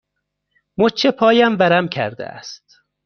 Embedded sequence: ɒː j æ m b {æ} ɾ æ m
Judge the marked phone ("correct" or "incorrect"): correct